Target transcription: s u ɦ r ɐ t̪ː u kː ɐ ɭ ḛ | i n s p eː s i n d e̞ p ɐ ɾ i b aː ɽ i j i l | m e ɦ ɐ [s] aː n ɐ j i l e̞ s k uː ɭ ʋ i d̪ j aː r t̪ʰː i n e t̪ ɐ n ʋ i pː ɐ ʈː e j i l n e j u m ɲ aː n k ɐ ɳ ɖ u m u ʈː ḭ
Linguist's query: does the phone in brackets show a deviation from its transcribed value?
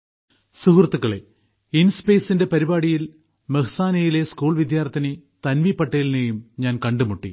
no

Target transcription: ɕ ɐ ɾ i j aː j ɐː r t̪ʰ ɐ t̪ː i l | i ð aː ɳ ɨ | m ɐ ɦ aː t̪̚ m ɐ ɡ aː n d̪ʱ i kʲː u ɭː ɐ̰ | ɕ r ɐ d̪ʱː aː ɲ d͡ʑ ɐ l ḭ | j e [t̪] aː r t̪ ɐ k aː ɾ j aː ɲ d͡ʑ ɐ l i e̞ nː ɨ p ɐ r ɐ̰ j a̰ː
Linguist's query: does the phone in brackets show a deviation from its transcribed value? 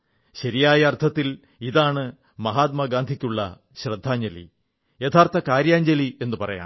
yes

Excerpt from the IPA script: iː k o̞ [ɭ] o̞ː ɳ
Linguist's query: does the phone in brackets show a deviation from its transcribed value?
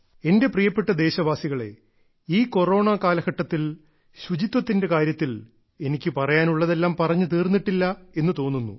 yes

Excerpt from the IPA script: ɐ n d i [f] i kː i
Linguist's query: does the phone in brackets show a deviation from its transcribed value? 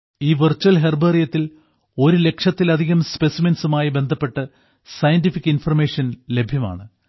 no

